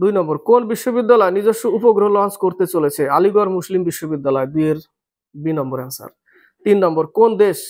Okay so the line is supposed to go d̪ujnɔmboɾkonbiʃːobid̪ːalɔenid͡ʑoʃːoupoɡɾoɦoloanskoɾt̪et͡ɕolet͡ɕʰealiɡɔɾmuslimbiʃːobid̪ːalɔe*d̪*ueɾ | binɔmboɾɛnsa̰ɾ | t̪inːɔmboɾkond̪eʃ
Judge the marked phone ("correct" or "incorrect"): correct